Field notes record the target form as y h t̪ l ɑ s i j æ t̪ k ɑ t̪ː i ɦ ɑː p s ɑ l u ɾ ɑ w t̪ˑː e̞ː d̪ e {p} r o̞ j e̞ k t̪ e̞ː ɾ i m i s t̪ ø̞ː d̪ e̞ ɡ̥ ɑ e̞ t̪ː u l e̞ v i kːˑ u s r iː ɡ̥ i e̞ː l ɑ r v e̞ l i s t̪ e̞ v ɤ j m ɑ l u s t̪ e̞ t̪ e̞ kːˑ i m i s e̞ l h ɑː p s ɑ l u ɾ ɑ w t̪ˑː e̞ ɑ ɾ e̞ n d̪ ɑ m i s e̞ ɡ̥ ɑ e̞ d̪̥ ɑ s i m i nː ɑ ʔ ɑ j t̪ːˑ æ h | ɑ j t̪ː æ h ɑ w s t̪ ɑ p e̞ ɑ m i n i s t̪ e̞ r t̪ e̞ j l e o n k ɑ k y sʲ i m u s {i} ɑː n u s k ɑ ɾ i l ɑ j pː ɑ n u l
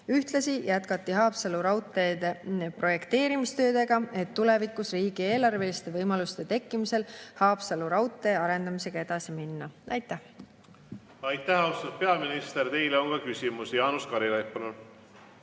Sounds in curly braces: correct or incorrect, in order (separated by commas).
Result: correct, incorrect